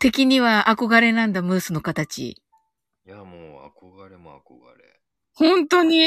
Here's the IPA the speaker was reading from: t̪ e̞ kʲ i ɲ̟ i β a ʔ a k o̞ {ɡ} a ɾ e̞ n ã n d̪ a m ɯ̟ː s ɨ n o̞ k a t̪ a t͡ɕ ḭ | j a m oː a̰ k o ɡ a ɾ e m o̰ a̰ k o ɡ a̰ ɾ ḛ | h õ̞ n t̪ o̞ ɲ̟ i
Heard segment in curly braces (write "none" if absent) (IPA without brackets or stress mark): ɡ